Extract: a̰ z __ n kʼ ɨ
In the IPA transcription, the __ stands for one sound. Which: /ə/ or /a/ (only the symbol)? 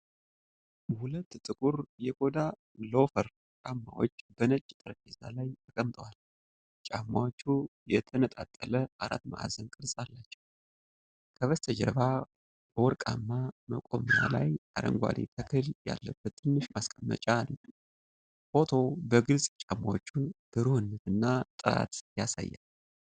ə